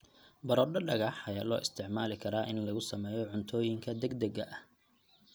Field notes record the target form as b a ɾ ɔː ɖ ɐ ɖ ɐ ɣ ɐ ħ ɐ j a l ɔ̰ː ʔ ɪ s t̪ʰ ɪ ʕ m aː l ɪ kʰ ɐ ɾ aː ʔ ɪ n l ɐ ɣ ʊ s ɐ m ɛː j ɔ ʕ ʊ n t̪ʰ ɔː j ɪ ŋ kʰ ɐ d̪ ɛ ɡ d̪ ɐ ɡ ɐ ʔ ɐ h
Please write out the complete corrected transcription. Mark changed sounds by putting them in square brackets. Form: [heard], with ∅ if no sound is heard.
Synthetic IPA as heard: b [ɐ] ɾ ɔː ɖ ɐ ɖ ɐ ɣ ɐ ħ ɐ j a l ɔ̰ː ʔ ɪ s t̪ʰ ɪ ʕ m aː l ɪ kʰ ɐ ɾ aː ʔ ɪ n l ɐ ɣ ʊ s ɐ m ɛː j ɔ ʕ ʊ n t̪ʰ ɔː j ɪ ŋ kʰ ɐ d̪ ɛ ɡ d̪ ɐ ɡ ɐ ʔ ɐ h

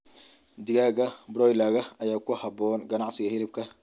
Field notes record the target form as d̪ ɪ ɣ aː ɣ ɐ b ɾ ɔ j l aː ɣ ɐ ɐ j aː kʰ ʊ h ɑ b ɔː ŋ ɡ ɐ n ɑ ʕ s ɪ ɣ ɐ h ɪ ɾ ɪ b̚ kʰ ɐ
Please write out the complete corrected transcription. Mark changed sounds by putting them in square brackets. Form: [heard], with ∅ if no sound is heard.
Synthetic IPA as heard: d̪ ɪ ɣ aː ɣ ɐ b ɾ ɔ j l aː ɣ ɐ ɐ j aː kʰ ʊ h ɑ b ɔː [n] ɡ ɐ n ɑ ʕ s ɪ ɣ ɐ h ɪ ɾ ɪ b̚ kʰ ɐ

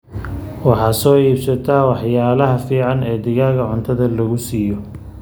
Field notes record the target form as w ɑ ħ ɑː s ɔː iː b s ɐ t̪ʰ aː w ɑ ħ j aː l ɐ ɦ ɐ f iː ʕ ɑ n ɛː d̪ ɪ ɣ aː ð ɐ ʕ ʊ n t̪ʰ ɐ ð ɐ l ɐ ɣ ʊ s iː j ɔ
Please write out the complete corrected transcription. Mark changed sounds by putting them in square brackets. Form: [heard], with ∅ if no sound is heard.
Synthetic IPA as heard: w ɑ ħ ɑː s ɔː iː b s ɐ t̪ʰ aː w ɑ ħ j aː l ɐ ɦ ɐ f iː ʕ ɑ n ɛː d̪ ɪ ɣ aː [ɣ] ɐ ʕ ʊ n t̪ʰ ɐ ð ɐ l ɐ ɣ ʊ s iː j ɔ

